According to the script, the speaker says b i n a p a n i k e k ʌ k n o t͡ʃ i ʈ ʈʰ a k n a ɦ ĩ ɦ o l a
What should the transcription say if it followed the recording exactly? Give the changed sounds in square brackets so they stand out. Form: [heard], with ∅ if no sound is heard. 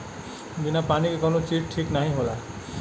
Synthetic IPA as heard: b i n a p a n i k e k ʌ [∅] n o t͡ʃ i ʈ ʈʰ [i] k n a ɦ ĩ ɦ o l a